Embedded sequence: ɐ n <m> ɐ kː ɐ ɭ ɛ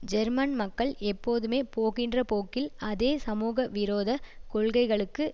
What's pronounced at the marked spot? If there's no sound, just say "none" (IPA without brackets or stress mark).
m